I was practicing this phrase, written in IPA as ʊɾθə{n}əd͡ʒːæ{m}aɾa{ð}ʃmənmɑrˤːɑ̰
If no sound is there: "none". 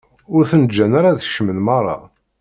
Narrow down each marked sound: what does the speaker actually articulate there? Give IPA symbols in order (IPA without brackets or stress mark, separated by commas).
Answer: n, n, ð